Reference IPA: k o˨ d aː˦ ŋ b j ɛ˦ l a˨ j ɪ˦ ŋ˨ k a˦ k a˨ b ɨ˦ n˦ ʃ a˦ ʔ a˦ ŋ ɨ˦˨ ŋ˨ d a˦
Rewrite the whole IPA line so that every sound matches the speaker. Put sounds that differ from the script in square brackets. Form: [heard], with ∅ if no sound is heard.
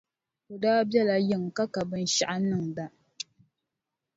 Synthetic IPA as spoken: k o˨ d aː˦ [∅] b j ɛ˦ l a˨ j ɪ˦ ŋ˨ k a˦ k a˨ b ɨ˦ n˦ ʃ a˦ ʔ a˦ [n] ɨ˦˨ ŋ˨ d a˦